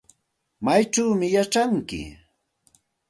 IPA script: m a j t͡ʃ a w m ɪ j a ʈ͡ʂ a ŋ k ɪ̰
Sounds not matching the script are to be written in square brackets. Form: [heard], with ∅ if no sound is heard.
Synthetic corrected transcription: m a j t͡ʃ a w m ɪ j a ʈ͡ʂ a ŋ k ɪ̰